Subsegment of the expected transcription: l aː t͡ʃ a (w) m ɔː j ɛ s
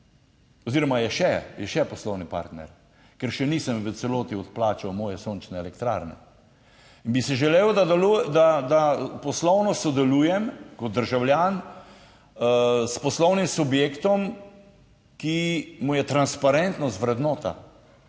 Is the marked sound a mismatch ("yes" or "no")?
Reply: no